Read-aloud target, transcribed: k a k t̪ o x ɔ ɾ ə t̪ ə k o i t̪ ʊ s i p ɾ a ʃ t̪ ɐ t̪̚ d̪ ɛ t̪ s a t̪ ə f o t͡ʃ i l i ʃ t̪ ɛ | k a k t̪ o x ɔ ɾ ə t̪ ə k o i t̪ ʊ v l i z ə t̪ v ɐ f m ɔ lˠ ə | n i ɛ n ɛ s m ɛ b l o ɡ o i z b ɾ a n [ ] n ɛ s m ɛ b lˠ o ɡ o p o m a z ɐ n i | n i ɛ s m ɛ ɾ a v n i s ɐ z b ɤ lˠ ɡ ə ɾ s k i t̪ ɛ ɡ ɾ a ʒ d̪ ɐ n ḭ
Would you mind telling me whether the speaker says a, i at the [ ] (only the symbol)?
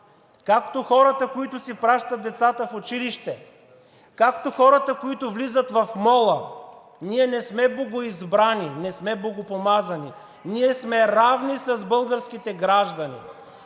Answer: i